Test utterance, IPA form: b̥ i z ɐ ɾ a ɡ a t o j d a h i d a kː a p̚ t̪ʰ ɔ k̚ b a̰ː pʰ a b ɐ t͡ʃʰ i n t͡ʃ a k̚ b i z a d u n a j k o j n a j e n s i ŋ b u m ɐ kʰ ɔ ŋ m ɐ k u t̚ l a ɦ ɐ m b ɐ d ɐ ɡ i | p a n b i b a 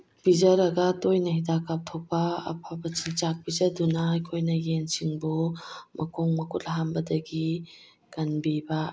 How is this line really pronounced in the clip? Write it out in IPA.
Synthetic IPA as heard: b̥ i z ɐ ɾ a ɡ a t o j n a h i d a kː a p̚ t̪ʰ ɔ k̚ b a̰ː pʰ a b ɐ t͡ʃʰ i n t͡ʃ a k̚ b i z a d u n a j kʰ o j n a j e n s i ŋ b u m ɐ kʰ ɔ ŋ m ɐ k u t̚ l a ɦ a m b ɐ d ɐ ɡ i | k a n b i b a